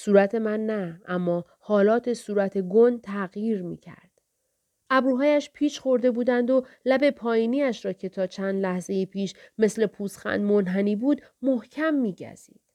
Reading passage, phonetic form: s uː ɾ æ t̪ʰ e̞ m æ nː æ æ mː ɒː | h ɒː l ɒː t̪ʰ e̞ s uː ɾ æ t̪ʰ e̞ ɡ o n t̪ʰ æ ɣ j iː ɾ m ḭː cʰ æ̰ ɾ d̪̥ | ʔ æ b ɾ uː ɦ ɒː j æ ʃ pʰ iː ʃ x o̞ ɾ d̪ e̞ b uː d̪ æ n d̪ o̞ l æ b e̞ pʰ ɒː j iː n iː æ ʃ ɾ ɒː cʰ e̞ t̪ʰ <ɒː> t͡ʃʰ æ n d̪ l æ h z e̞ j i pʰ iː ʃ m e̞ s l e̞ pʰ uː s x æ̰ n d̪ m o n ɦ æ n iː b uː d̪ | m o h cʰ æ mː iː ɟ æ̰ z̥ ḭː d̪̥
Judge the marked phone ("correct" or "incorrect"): correct